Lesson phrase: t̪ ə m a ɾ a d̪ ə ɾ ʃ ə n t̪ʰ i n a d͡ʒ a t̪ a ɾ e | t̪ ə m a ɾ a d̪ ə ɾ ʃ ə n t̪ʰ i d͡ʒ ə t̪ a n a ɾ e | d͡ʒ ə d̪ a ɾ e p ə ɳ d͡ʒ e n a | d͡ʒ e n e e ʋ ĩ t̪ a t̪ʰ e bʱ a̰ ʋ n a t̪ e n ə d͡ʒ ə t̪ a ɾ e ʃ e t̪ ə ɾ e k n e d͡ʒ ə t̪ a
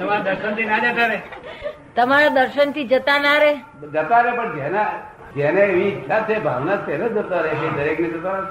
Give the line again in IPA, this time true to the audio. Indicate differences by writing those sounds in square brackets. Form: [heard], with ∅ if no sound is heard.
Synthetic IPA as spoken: t̪ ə m a ɾ a d̪ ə ɾ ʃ ə n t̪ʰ i n a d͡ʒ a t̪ a ɾ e | t̪ ə m a ɾ a d̪ ə ɾ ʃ ə n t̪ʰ i d͡ʒ ə t̪ a n a ɾ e | d͡ʒ ə [t̪] a ɾ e p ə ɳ d͡ʒ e n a | d͡ʒ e n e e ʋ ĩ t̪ a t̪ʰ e bʱ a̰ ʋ n a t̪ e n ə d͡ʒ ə t̪ a ɾ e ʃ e [d̪] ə ɾ e k n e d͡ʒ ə t̪ a